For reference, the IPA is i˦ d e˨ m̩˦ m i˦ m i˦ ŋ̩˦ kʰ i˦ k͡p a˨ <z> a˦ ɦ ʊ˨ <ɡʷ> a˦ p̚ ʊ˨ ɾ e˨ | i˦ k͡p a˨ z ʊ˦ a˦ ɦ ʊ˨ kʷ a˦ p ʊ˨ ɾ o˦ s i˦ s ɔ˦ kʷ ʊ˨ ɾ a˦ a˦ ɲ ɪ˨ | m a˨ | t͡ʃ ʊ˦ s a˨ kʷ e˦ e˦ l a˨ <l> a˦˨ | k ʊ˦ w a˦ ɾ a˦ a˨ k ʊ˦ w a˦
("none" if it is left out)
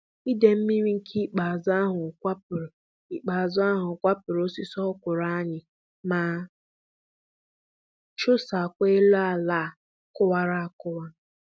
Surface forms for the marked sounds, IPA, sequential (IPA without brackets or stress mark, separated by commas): z, kʷ, l